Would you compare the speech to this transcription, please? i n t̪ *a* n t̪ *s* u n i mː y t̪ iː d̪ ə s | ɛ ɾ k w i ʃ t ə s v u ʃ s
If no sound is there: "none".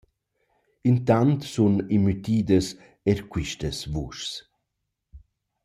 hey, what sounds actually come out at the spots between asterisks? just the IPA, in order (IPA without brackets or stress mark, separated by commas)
a, s